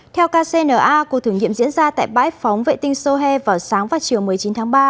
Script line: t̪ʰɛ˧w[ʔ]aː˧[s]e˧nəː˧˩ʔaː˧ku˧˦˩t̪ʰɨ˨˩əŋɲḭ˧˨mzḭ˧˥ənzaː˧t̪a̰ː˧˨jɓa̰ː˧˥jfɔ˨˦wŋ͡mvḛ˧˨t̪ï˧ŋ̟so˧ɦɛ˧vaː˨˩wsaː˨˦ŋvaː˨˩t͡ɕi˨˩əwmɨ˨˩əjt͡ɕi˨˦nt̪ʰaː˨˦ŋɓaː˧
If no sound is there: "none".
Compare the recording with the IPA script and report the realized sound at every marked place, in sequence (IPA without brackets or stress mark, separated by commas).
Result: k, s